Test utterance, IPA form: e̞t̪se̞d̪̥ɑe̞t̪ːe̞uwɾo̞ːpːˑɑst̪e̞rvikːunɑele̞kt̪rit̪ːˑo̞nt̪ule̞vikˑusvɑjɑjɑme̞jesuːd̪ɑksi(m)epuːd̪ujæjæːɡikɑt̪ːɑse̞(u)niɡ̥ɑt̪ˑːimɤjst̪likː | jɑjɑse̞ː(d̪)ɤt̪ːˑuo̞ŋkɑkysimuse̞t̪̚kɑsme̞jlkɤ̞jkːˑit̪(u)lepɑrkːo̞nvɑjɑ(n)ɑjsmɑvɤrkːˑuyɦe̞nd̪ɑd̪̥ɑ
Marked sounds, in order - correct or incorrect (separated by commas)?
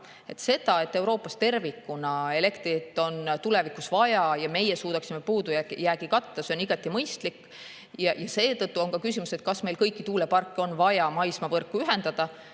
correct, incorrect, incorrect, incorrect, incorrect